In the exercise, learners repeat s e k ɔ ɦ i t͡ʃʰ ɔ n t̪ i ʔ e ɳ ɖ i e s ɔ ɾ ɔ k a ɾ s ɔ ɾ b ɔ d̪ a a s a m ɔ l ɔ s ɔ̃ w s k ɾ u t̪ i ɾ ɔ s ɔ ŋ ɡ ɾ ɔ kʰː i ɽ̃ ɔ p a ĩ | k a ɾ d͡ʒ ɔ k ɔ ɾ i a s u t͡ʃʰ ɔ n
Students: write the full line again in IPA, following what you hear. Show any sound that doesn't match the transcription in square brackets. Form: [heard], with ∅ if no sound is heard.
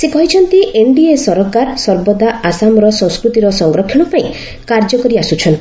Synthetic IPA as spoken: s e k ɔ ɦ i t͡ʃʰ ɔ n t̪ i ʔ e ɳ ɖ i e s ɔ ɾ ɔ k a ɾ s ɔ ɾ b ɔ d̪ a a s a m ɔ [ɾ] ɔ s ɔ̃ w s k ɾ u t̪ i ɾ ɔ s ɔ ŋ ɡ ɾ ɔ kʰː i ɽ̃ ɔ p a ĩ | k a ɾ d͡ʒ ɔ k ɔ ɾ i a s u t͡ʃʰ ɔ n